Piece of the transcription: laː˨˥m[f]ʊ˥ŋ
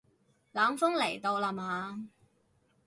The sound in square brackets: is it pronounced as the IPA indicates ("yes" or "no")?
yes